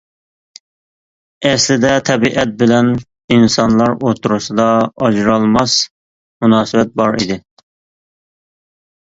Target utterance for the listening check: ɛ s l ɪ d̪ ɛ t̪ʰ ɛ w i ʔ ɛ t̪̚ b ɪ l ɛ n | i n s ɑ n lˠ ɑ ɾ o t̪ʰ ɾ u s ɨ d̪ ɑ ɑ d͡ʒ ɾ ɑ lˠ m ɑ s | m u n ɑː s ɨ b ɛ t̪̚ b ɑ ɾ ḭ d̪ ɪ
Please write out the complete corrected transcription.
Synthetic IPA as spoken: ɛ s l ɪ d̪ ɛ t̪ʰ ɛ b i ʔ ɛ t̪̚ b ɪ l ɛ n | i n s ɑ n lˠ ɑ ɾ o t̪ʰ ɾ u s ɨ d̪ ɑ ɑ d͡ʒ ɾ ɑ lˠ m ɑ s | m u n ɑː s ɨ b ɛ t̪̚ b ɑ ɾ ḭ d̪ ɪ

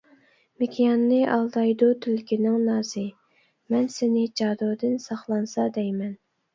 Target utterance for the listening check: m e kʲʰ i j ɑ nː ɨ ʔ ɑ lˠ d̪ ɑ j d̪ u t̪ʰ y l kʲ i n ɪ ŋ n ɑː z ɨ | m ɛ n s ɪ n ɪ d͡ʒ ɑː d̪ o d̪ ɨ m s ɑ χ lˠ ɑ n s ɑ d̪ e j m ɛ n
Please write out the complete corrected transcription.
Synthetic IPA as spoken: m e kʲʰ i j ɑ nː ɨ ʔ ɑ lˠ d̪ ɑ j d̪ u t̪ʰ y l kʲ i n ɪ ŋ n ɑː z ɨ | m ɛ n s ɪ n ɪ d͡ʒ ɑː d̪ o d̪ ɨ n s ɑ χ lˠ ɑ n s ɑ d̪ ɛ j m ɛ n

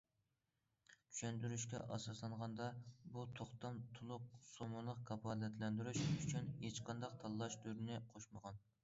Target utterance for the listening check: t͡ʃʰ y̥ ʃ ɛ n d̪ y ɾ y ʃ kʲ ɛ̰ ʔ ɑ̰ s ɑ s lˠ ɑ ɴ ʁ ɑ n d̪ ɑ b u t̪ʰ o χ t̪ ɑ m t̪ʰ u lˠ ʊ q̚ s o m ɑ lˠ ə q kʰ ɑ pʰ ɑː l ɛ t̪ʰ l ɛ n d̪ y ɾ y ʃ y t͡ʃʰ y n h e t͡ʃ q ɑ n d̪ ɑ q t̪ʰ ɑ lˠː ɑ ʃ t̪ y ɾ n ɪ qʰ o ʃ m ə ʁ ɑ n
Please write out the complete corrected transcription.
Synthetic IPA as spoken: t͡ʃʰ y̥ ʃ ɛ n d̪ y ɾ y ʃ kʲ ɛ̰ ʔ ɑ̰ s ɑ s lˠ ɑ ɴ ʁ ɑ n d̪ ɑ b u t̪ʰ o χ t̪ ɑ m t̪ʰ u lˠ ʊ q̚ s o m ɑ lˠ ə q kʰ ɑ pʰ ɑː l ɛ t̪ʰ l ɛ n d̪ y ɾ y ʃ y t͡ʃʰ y n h e t͡ʃ q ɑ n d̪ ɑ q t̪ʰ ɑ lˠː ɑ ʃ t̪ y ɾ n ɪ qʰ o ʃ m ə ʁ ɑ n

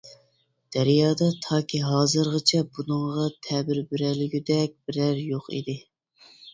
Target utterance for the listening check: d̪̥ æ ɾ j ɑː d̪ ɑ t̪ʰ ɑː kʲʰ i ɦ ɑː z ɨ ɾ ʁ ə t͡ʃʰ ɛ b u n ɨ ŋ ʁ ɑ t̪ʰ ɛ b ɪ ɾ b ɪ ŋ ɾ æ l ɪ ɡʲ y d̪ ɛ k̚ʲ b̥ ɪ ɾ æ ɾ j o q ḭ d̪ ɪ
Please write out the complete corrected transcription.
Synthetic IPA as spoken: d̪̥ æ ɾ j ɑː d̪ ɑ t̪ʰ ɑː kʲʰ i ɦ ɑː z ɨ ɾ ʁ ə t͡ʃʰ ɛ b u n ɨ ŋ ʁ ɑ t̪ʰ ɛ b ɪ ɾ b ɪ ɾ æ l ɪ ɡʲ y d̪ ɛ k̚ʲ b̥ ɪ ɾ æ ɾ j o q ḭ d̪ ɪ

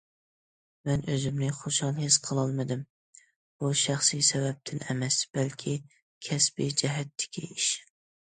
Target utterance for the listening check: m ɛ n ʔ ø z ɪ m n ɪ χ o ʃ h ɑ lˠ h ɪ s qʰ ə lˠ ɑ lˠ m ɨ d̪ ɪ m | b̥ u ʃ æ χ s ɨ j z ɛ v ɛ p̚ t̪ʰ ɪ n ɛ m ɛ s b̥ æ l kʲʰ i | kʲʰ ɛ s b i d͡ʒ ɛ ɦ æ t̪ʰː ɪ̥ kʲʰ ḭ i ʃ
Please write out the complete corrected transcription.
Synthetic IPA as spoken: m ɛ n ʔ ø z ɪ m n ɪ χ o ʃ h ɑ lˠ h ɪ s qʰ ə lˠ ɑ lˠ m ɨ d̪ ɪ m | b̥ u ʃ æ χ s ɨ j s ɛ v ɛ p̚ t̪ʰ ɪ n ɛ m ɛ s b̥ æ l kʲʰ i | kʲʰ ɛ s b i d͡ʒ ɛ ɦ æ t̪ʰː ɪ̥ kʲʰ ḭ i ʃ

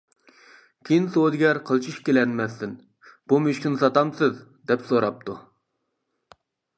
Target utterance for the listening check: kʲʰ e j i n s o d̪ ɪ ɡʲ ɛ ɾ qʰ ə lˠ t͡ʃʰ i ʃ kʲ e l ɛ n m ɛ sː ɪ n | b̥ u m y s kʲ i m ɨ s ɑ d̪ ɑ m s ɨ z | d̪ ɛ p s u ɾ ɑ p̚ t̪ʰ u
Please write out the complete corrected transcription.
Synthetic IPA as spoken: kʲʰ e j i n s o d̪ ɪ ɡʲ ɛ ɾ qʰ ə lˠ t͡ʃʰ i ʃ kʲ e l ɛ n m ɛ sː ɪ n | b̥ u m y ʃ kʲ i n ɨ s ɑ t̪ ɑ m s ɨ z | d̪ ɛ p s o ɾ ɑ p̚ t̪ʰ u

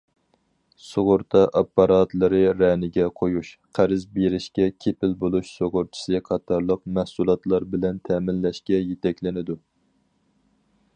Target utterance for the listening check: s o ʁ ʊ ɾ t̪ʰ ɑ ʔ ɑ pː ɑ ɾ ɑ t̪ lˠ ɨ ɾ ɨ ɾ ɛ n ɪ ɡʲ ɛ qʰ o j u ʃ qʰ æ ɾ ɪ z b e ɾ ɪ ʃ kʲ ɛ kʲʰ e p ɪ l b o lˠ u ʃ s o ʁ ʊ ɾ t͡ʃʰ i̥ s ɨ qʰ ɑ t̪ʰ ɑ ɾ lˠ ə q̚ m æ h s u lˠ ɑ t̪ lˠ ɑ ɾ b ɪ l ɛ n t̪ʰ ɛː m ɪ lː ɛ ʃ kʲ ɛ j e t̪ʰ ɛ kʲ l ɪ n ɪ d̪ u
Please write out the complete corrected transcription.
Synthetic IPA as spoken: s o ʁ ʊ ɾ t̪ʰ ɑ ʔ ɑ pː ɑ ɾ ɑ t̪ lˠ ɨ ɾ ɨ ɾ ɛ n ɪ ɡʲ ɛ qʰ o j u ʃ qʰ æ ɾ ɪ z b e ɾ ɪ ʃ kʲ ɛ kʲʰ e p ɪ l b o lˠ u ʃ s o ʁ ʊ ɾ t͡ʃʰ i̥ s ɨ qʰ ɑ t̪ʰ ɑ ɾ lˠ ə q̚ m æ h s u lˠ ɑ t̪ lˠ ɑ ɾ b ɪ l ɛ n t̪ʰ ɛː m ɪ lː ɛ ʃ kʲ ɛ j e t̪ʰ ɛ kʲ l ɪ n ɪ d̪ u

